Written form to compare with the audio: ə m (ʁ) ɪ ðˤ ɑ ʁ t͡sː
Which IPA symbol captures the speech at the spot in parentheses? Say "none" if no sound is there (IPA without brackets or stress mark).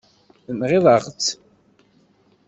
ʁ